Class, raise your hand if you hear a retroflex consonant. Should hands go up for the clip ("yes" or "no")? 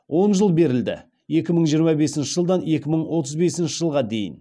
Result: no